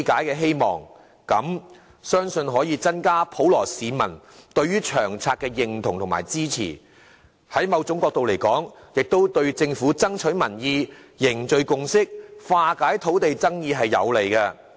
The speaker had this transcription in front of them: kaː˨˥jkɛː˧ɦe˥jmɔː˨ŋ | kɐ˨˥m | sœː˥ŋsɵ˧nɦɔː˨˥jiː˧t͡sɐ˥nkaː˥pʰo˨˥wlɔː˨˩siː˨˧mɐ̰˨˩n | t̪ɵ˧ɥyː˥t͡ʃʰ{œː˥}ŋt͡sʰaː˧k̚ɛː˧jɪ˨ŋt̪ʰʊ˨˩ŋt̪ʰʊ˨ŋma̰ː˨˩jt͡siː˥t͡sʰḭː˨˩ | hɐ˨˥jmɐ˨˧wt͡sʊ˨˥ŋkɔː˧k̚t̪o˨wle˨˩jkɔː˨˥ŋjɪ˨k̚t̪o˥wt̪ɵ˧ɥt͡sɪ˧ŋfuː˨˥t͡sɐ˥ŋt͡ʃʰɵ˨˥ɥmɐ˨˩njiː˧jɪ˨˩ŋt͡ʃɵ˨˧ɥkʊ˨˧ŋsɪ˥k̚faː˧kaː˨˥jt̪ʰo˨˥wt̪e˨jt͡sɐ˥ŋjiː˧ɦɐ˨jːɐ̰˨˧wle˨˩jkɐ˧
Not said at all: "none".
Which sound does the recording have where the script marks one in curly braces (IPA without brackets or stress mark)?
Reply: œː˨˩